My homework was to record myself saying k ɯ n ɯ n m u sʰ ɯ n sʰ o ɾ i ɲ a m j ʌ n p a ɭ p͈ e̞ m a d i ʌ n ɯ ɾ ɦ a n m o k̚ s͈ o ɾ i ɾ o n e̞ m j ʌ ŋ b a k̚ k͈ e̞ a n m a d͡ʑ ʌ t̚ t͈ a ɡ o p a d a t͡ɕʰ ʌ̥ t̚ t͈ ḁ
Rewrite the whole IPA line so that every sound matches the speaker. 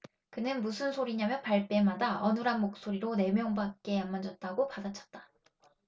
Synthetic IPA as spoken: k ɯ n ɯ n m u sʰ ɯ n sʰ o ɾ i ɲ a m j ʌ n p a ɭ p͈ e̞ m a d a ʌ n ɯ ɾ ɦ a n m o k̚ s͈ o ɾ i ɾ o n e̞ m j ʌ ŋ b a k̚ k͈ e̞ a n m a d͡ʑ ʌ t̚ t͈ a ɡ o p a d a t͡ɕʰ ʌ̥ t̚ t͈ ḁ